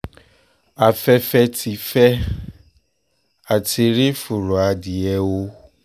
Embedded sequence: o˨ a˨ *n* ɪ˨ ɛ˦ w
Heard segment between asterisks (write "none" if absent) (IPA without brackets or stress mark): d